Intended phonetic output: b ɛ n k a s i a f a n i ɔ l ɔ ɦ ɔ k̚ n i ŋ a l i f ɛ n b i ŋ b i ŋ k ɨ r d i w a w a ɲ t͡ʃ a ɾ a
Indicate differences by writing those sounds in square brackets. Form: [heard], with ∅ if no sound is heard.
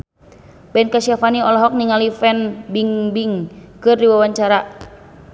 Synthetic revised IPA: b ɛ n k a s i a f a n i ɔ l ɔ ɦ ɔ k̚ n i ŋ a l i f ɛ n b i ŋ b i ŋ k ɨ r d i w a w a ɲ t͡ʃ a ɾ a